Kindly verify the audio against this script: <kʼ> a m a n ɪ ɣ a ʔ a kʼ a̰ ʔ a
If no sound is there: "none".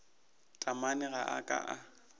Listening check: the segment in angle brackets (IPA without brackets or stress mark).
tʼ